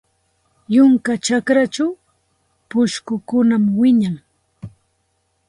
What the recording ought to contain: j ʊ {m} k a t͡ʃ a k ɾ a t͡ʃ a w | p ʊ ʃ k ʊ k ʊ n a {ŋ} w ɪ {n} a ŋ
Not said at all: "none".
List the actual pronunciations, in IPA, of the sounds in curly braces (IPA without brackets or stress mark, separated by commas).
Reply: ŋ, m, ɲ